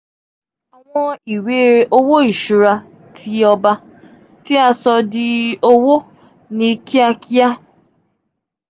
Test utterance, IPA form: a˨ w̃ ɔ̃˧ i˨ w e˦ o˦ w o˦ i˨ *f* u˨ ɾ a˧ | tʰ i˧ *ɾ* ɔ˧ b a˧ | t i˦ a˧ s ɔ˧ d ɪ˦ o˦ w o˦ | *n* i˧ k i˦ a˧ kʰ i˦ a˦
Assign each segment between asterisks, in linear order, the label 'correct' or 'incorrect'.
incorrect, incorrect, correct

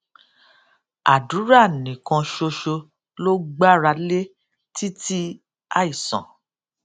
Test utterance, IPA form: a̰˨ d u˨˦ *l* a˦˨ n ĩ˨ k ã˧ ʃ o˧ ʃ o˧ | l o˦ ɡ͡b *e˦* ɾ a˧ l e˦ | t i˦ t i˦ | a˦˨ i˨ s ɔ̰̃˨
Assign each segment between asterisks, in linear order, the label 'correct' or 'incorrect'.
incorrect, incorrect

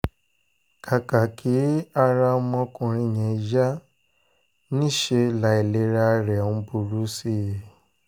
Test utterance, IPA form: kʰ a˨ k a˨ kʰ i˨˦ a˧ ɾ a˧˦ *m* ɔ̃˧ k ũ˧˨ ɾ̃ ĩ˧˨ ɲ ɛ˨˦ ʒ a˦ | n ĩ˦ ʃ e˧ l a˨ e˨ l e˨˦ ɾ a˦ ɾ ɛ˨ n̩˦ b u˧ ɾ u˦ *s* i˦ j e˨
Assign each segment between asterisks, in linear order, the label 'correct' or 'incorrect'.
correct, correct

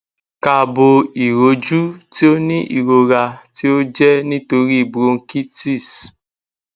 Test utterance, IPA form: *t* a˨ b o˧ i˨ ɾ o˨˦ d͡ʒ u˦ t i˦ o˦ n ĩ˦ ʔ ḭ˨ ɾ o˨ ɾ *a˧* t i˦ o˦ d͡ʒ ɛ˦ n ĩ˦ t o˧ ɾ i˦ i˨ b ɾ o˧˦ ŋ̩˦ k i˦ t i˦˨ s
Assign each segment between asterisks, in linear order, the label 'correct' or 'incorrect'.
incorrect, correct

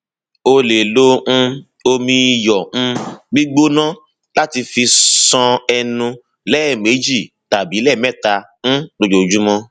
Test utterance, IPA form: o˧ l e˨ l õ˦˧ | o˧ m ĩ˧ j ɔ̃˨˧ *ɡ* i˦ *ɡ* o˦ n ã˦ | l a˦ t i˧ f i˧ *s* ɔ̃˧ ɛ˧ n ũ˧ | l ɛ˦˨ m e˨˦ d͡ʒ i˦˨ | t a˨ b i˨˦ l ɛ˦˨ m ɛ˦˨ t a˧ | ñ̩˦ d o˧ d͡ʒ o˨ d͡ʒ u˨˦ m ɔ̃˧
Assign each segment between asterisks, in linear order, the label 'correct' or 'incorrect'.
incorrect, incorrect, correct

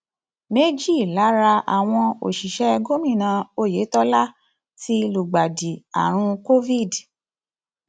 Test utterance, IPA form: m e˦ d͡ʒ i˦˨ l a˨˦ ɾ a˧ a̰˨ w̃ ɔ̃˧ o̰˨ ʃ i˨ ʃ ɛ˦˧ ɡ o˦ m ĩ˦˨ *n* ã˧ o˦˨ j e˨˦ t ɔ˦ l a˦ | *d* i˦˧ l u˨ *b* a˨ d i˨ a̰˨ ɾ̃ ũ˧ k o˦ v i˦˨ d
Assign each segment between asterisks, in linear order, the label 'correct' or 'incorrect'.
correct, incorrect, incorrect

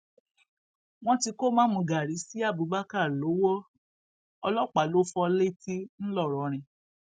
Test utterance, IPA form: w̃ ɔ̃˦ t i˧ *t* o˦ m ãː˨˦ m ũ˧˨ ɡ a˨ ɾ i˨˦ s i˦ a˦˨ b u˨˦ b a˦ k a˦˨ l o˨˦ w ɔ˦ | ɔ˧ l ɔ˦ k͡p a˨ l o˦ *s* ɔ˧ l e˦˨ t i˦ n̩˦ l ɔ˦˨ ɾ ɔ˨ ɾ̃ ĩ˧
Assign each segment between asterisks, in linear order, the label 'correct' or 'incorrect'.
incorrect, incorrect

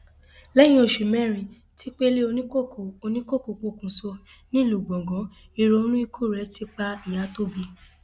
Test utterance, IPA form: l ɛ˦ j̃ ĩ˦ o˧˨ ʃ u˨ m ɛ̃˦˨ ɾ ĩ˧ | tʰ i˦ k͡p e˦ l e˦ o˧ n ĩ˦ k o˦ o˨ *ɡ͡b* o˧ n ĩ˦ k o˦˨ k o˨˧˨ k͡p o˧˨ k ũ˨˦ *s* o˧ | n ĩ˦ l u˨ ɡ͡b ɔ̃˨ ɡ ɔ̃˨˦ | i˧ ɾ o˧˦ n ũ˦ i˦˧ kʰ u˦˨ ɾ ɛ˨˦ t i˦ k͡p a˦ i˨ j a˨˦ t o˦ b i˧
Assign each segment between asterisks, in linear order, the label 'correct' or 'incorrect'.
incorrect, correct

